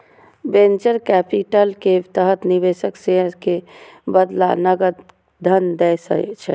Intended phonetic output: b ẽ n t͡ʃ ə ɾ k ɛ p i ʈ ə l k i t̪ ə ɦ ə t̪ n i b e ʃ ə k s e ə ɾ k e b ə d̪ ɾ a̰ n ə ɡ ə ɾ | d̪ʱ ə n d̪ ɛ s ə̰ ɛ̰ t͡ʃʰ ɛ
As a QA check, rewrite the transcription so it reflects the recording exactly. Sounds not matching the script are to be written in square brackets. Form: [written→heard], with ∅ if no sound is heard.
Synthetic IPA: b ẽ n t͡ʃ ə ɾ k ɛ p i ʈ ə l k [i→e] t̪ ə ɦ ə t̪ n i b e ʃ ə k s e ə ɾ k e b ə d̪ [ɾ→l] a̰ n ə ɡ ə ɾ | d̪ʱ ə n d̪ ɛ s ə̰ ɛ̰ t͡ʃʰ ɛ